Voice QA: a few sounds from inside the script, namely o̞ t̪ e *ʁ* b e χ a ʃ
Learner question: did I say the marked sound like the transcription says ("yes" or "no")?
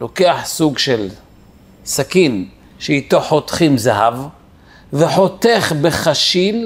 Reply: no